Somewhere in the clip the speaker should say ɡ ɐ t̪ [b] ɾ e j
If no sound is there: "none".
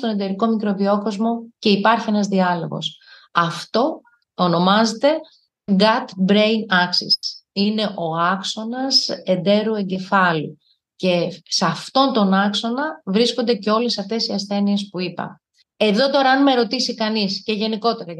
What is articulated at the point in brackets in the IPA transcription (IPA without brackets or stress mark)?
b